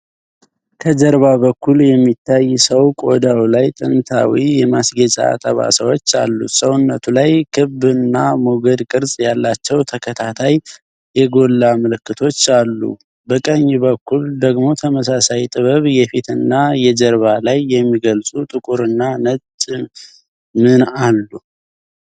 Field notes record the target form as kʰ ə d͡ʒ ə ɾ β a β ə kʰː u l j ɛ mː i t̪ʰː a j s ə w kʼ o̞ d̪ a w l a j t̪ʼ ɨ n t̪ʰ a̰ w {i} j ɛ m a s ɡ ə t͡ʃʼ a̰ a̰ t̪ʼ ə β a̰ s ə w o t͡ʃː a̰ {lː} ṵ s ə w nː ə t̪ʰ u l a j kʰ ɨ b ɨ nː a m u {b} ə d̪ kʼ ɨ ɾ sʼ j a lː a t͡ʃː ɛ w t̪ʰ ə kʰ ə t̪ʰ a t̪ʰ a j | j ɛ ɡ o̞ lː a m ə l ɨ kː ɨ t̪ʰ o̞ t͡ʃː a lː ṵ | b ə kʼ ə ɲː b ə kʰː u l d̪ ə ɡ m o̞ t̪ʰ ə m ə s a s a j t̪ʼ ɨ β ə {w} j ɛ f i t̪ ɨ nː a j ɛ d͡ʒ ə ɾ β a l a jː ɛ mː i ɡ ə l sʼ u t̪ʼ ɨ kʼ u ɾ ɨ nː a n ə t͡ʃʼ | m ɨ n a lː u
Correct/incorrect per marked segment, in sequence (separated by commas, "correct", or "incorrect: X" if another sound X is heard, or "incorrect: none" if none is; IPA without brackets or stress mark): correct, correct, incorrect: ɡ, incorrect: β